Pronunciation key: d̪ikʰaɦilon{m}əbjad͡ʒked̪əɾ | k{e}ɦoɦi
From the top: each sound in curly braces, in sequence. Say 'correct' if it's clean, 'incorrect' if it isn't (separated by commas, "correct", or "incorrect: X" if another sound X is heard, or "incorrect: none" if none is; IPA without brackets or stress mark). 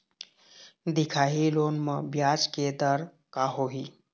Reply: correct, incorrect: a